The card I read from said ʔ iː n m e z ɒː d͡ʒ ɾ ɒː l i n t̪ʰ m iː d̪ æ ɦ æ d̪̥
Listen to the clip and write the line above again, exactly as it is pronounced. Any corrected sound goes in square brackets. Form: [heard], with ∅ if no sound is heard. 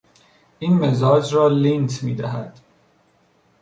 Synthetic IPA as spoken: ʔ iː n m e z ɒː d͡ʒ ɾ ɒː l i n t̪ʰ m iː d̪ æ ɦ æ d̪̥